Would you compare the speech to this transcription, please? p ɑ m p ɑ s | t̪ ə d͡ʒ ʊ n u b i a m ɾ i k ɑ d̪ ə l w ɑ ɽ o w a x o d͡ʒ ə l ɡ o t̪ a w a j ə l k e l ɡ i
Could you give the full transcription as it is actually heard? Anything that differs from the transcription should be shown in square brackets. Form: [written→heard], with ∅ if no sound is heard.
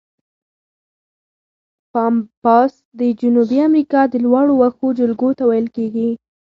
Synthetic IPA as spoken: p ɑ m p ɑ s | [t̪→d̪] ə d͡ʒ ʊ n u b i a m ɾ i k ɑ d̪ ə l w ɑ ɽ o w a x o d͡ʒ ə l ɡ o t̪ a w a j ə l k e [l→∅] ɡ i